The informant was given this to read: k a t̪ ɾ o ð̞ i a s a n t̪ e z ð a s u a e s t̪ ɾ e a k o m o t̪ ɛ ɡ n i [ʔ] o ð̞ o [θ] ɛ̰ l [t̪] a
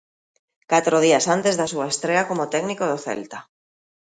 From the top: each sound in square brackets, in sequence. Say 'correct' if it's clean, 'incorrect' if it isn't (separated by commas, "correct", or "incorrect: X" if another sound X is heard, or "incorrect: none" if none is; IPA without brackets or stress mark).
incorrect: k, correct, correct